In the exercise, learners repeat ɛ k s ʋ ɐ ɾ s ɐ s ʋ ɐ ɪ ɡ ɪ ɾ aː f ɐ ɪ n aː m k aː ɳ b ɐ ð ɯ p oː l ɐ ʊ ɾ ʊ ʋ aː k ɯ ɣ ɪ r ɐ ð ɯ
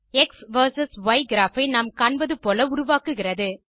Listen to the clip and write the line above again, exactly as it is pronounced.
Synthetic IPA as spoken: ɛ k s ʋ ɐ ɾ s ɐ s ʋ ɐ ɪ ɡ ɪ ɾ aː f ɐ ɪ n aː m k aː ɳ b ɐ ð ɯ p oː l ɐ ʊ ɾ ʊ ʋ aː k ɯ ɣ ɪ r ɐ ð ɯ